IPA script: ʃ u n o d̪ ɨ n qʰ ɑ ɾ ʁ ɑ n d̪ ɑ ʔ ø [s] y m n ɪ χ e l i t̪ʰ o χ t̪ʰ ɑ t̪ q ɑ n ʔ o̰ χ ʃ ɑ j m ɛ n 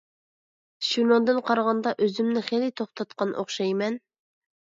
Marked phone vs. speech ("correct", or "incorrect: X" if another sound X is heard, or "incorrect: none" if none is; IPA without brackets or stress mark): incorrect: z